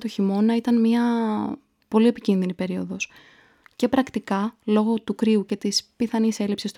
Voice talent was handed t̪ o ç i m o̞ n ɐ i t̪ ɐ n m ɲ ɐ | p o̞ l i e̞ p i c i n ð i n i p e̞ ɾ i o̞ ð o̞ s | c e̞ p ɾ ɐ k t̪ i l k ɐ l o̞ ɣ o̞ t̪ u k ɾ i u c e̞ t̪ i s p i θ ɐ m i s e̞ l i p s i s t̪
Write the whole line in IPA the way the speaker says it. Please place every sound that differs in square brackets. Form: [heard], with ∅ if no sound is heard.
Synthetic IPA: t̪ o ç i m o̞ n ɐ i t̪ ɐ n m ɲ ɐ | p o̞ l i e̞ p i c i n ð i n i p e̞ ɾ i o̞ ð o̞ s | c e̞ p ɾ ɐ k t̪ i [∅] k ɐ l o̞ ɣ o̞ t̪ u k ɾ i u c e̞ t̪ i s p i θ ɐ [n] i s e̞ l i p s i s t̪